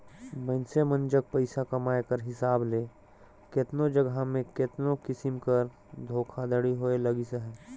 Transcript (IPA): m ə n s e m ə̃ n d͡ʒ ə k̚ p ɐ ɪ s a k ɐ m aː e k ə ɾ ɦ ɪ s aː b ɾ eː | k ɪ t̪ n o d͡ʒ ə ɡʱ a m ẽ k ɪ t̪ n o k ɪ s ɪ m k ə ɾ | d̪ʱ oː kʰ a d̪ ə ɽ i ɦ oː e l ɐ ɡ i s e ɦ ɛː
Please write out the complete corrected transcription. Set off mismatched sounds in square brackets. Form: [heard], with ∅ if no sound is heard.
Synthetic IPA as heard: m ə n s e m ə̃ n d͡ʒ ə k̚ p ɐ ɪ s a k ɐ m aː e k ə ɾ ɦ ɪ s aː b [l] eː | k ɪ t̪ n o d͡ʒ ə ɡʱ a m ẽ k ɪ t̪ n o k ɪ s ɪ m k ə ɾ | d̪ʱ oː kʰ a d̪ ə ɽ i ɦ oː e l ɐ ɡ i s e ɦ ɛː